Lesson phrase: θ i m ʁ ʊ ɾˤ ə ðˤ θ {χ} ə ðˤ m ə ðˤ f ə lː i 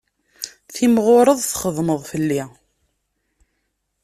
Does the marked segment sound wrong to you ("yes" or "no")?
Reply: no